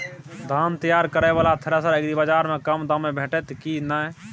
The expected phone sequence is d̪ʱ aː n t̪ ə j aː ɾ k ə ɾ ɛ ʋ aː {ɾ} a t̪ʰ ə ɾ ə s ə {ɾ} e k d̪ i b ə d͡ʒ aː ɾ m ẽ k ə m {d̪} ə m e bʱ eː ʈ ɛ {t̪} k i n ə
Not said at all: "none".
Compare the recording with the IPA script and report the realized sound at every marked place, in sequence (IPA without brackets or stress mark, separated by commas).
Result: l, ɾ, d̪, t̪